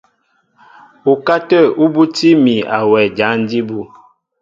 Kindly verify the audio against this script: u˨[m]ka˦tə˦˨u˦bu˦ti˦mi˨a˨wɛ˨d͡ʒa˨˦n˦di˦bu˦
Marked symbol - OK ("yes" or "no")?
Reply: no